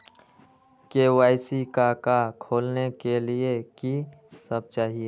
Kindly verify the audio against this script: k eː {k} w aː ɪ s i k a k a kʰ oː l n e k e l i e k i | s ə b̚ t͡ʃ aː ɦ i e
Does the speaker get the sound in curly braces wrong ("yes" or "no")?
yes